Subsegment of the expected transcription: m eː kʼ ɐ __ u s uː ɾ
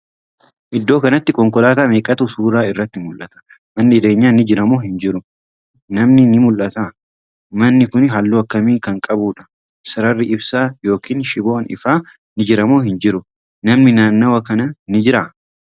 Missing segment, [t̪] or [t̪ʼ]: t̪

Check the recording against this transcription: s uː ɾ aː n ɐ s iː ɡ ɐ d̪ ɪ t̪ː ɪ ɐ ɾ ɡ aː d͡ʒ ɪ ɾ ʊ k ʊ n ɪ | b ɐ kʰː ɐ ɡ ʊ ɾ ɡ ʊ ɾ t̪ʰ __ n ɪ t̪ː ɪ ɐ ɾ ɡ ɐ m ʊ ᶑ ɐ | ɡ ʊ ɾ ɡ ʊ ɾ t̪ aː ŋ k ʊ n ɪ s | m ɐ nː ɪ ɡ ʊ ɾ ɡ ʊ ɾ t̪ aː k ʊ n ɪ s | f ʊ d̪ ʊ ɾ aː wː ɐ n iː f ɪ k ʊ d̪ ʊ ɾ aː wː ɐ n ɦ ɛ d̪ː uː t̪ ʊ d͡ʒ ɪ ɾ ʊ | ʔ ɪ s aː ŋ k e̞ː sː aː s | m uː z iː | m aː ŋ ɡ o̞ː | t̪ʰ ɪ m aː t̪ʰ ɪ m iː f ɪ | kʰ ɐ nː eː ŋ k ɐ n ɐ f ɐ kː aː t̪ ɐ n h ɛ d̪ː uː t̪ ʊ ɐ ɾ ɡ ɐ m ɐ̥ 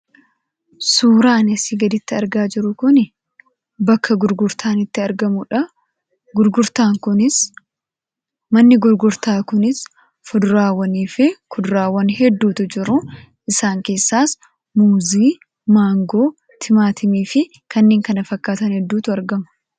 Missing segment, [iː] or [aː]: aː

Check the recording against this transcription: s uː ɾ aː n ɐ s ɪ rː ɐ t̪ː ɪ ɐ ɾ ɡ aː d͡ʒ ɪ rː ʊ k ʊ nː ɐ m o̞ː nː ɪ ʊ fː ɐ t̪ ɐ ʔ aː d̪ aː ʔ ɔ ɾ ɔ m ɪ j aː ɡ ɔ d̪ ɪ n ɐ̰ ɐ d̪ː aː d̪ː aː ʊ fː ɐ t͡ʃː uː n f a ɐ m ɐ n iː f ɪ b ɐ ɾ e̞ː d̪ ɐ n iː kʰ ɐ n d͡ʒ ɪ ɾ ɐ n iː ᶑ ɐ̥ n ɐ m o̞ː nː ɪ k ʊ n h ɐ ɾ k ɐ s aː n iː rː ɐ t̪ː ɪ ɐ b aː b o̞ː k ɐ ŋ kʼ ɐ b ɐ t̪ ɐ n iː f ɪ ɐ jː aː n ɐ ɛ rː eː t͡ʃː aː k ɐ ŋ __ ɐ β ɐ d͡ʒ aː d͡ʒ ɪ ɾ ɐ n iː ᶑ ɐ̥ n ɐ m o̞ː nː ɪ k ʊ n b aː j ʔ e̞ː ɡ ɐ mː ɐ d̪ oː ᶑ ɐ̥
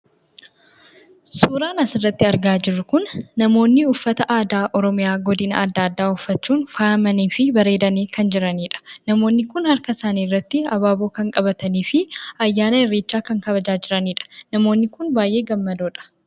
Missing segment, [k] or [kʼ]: k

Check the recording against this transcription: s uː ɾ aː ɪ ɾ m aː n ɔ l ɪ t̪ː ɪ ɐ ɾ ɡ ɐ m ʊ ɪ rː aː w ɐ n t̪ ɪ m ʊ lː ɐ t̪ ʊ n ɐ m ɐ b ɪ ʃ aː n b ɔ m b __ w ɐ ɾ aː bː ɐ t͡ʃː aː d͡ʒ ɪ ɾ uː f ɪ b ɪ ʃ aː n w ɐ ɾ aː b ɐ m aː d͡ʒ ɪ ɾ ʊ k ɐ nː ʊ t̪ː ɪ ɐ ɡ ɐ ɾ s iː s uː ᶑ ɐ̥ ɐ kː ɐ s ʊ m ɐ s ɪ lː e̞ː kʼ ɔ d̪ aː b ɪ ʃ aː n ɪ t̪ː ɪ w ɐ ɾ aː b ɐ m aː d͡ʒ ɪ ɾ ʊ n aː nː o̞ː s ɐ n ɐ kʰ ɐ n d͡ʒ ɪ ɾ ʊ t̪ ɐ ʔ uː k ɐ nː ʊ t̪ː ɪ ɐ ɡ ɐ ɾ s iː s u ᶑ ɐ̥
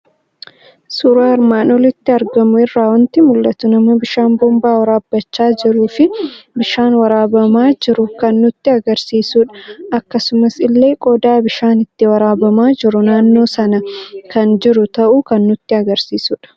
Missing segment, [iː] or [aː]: aː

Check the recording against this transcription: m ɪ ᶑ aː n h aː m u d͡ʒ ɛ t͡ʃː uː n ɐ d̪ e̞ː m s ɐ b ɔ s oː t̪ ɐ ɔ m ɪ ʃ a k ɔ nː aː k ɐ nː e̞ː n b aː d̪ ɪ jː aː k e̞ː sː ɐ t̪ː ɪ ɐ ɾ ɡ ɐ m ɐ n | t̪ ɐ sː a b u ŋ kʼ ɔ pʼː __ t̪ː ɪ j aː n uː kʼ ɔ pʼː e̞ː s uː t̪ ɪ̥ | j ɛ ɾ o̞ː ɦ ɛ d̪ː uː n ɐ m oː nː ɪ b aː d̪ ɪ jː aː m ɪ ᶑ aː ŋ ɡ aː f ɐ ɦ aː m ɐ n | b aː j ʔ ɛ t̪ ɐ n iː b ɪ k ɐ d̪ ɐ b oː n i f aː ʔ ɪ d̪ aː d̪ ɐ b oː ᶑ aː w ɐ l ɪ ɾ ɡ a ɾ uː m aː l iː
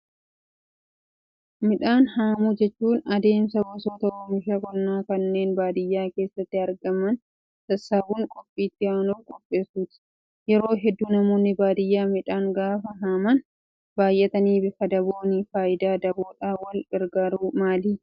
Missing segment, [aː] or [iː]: iː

